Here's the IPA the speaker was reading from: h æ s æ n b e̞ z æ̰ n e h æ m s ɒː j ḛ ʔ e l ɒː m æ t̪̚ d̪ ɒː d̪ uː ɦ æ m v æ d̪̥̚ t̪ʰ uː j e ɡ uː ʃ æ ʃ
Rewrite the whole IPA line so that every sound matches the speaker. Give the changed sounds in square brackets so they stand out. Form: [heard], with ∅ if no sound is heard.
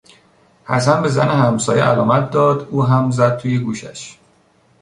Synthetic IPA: h æ s æ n b e̞ z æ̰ n e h æ m s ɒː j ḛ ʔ [æ] l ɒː m æ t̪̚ d̪ ɒː d̪ uː ɦ æ m [z] æ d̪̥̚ t̪ʰ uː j e ɡ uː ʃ æ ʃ